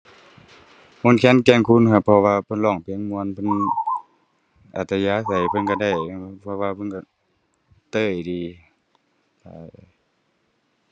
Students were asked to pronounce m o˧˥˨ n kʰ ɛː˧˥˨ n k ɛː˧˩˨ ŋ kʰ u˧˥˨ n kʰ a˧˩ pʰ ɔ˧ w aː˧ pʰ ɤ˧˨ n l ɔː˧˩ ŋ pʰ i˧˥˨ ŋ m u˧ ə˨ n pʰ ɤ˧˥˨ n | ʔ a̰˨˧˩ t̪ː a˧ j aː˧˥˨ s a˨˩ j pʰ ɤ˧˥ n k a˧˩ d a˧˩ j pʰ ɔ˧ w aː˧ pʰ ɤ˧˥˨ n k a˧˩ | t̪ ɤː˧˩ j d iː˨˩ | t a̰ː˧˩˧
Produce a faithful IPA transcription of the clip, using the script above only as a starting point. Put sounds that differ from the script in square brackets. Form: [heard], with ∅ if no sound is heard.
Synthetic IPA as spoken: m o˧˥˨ n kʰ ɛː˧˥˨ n k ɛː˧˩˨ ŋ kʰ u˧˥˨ n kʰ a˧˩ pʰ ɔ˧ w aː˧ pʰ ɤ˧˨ n l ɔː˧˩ ŋ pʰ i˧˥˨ ŋ m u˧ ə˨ n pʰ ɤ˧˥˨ n | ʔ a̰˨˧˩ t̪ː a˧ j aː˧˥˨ s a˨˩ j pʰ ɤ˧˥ n k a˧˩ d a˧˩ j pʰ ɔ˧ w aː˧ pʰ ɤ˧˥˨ n k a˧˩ | t̪ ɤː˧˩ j d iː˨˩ | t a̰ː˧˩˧